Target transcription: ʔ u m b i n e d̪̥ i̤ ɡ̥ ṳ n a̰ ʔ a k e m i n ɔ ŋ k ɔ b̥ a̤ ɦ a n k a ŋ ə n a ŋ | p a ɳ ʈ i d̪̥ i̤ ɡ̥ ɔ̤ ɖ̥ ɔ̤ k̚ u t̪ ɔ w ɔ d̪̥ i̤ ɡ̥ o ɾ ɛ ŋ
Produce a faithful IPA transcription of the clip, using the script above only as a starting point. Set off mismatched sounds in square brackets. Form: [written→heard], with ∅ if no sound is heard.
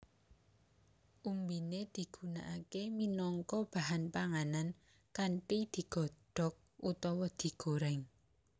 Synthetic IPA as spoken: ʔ u m b i n e d̪̥ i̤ ɡ̥ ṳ n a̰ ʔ a k e m i n ɔ ŋ k ɔ b̥ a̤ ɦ a n [k→p] a ŋ [ə→a] n a [ŋ→n] | [p→k] a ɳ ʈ i d̪̥ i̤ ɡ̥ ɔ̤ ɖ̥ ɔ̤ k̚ u t̪ ɔ w ɔ d̪̥ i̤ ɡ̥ o ɾ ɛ ŋ